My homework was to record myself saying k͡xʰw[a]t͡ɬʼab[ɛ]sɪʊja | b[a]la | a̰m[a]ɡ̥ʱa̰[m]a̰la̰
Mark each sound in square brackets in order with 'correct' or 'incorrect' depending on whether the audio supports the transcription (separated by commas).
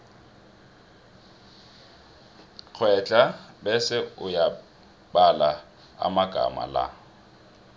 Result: incorrect, correct, correct, correct, correct